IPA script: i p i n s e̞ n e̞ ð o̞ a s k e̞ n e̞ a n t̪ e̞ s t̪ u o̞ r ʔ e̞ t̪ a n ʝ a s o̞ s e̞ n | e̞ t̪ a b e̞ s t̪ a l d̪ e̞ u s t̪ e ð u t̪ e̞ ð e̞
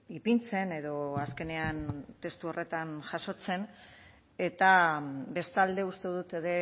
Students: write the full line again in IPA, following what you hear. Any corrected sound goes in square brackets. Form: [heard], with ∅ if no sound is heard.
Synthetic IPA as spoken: i p i n [t͡s] e̞ n e̞ ð o̞ a s k e̞ n e̞ a n t̪ e̞ s t̪ u o̞ r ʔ e̞ t̪ a n ʝ a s o̞ [t͡s] e̞ n | e̞ t̪ a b e̞ s t̪ a l d̪ e̞ u s t̪ e ð u t̪ e̞ ð e̞